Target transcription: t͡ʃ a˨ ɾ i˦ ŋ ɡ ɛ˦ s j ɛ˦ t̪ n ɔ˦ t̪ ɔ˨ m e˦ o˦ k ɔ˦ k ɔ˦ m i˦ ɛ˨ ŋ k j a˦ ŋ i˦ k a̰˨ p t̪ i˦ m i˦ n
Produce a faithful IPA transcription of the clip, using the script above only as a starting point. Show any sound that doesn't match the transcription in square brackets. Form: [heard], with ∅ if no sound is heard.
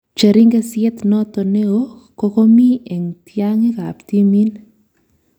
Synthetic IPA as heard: t͡ʃ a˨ ɾ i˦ ŋ ɡ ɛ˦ s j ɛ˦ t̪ n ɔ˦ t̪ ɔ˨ [n] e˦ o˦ k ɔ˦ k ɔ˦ m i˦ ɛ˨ ŋ [t] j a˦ ŋ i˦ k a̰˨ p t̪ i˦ m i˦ n